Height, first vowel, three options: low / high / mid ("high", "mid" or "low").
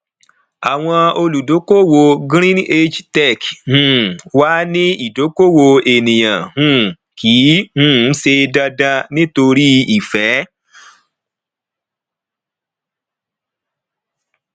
low